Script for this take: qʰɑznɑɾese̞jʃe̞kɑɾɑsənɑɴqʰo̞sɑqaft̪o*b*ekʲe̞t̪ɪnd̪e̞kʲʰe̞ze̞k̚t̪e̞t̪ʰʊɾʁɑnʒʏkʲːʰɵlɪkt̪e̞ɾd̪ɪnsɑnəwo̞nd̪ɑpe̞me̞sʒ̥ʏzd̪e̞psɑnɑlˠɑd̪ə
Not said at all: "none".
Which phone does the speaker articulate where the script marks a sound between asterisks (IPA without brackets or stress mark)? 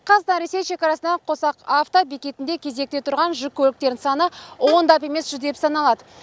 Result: b